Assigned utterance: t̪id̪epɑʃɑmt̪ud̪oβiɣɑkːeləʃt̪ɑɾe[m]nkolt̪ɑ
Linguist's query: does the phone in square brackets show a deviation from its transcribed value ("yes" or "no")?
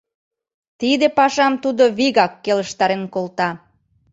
yes